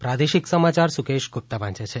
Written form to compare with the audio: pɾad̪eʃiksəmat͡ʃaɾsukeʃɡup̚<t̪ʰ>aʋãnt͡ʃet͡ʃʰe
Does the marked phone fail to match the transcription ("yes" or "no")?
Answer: yes